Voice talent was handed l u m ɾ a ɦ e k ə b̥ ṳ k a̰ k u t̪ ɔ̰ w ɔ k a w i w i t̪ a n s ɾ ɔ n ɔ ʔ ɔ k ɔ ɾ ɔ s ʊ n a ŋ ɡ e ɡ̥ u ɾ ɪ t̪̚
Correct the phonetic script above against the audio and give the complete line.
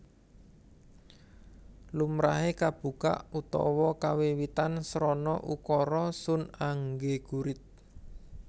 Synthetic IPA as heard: l u m ɾ a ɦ e k a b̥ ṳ k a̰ ʔ u t̪ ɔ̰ w ɔ k a w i w i t̪ a n s ɾ ɔ n ɔ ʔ u k ɔ ɾ ɔ s ʊ n a ŋ ɡ e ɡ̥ u ɾ ɪ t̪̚